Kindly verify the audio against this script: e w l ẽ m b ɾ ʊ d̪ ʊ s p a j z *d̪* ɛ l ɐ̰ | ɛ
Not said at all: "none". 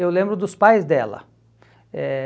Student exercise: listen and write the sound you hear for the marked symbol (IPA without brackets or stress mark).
d̪